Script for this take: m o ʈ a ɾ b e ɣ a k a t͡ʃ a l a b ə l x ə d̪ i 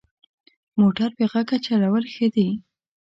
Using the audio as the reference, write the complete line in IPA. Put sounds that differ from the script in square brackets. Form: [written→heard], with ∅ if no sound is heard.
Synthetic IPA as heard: m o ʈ a ɾ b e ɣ a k a t͡ʃ a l a [b→w] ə l x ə d̪ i